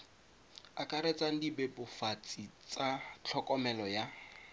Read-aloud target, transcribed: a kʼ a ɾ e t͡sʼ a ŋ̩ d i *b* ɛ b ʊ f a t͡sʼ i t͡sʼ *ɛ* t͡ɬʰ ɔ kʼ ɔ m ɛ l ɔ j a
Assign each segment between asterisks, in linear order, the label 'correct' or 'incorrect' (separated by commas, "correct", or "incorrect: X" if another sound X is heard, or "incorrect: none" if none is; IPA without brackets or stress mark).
correct, incorrect: a